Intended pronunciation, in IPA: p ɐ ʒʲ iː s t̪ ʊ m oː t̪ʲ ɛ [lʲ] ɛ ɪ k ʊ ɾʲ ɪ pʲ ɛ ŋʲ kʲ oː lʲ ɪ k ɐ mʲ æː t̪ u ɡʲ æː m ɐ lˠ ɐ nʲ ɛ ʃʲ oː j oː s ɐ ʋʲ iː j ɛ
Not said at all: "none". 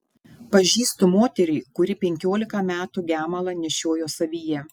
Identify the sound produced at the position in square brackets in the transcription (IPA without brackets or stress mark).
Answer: ɾʲ